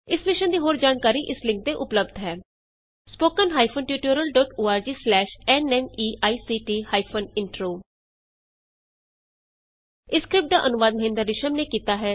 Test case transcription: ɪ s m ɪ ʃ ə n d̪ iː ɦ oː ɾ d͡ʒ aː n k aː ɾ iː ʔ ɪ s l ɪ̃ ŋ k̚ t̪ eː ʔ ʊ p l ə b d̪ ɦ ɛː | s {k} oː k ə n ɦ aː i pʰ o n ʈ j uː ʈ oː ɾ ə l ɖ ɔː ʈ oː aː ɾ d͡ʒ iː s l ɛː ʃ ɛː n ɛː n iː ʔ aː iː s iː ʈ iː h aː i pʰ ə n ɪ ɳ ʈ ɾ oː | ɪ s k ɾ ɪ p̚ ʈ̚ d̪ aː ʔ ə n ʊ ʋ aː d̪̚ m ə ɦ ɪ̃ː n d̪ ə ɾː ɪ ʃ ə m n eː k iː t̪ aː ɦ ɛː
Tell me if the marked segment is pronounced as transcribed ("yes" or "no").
no